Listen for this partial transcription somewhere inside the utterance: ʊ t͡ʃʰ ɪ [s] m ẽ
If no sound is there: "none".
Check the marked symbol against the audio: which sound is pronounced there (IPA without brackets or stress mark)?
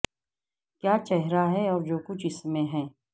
s